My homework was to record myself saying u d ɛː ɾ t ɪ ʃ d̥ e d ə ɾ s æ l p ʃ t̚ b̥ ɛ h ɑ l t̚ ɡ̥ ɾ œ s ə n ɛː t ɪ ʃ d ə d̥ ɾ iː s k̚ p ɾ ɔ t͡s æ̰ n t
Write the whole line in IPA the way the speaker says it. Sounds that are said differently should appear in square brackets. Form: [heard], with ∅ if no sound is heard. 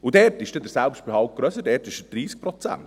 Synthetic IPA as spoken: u d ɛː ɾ t ɪ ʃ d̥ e d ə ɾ s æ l p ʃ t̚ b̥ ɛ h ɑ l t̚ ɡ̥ ɾ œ s ə [d] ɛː t ɪ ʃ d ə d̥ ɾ iː s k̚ p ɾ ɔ t͡s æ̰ n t